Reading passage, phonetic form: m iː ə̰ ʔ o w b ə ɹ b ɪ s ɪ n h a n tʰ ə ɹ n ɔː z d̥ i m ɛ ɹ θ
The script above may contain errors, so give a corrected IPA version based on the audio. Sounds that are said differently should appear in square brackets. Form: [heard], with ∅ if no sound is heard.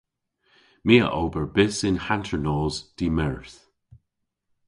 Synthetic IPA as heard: m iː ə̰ ʔ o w b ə ɹ b ɪ s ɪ n h a n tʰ ə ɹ n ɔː z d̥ i m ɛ ɹ θ